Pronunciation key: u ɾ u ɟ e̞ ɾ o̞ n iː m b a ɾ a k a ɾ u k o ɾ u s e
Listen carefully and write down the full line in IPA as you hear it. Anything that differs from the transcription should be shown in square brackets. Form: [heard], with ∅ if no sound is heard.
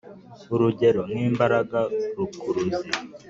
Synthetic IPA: u ɾ u ɟ e̞ ɾ o̞ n iː m b a ɾ a [ɡ] a ɾ u k [u] ɾ u [z] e